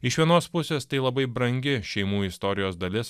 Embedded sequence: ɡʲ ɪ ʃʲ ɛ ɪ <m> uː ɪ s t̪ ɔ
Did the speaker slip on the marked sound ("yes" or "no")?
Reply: no